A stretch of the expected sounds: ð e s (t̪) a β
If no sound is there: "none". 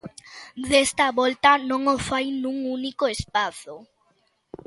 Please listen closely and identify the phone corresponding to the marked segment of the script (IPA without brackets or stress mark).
t̪